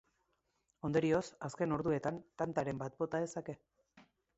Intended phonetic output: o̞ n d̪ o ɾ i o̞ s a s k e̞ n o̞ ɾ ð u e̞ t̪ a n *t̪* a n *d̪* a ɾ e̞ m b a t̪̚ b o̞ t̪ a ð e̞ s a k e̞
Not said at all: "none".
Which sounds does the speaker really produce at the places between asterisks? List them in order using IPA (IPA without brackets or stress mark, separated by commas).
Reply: t̪, t̪